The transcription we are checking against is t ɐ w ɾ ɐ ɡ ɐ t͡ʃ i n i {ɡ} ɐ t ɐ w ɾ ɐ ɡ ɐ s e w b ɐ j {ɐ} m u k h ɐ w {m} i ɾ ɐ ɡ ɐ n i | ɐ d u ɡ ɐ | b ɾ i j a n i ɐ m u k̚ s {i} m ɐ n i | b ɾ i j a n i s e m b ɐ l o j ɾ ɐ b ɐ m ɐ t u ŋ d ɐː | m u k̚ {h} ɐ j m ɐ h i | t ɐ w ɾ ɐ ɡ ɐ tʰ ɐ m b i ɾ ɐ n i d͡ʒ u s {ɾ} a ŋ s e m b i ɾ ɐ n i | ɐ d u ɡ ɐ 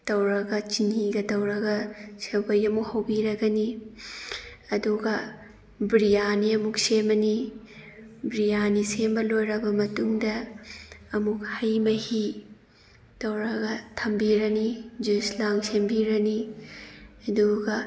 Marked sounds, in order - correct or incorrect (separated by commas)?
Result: correct, correct, incorrect, incorrect, correct, incorrect